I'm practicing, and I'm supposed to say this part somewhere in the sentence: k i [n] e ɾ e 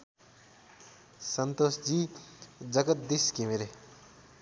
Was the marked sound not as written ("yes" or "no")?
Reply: yes